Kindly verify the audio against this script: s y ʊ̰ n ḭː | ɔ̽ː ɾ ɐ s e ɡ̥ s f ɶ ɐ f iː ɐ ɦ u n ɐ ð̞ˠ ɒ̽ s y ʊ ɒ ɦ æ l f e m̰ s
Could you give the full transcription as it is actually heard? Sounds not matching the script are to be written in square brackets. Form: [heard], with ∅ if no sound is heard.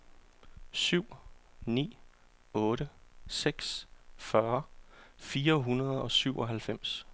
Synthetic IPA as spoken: s y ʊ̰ n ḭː | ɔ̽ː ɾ [ə] s e ɡ̥ s f ɶ ɐ f iː ɐ ɦ u n ɐ ð̞ˠ ɒ̽ s y ʊ ɒ ɦ æ l f e m̰ s